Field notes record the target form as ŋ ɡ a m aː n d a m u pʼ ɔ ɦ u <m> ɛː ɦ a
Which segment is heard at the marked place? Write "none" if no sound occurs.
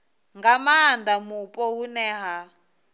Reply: n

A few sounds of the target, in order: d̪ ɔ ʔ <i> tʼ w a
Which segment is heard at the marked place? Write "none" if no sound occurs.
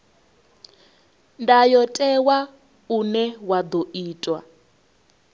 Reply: iː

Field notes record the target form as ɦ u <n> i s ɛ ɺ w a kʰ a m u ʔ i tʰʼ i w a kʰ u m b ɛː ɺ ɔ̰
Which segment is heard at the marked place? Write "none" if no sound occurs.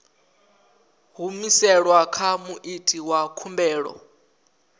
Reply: m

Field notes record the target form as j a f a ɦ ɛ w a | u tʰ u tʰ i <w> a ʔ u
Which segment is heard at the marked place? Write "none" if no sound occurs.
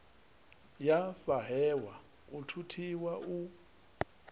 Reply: w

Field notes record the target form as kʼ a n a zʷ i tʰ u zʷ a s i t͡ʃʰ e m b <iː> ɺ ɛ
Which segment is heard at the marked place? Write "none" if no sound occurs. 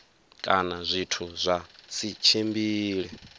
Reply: iː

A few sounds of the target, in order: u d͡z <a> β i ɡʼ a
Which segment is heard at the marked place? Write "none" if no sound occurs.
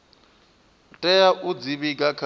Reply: i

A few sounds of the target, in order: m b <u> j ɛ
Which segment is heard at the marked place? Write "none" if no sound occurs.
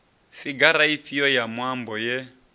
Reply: ɔ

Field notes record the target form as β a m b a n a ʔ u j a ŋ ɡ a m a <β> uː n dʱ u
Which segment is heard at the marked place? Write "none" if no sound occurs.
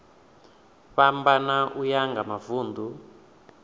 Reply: v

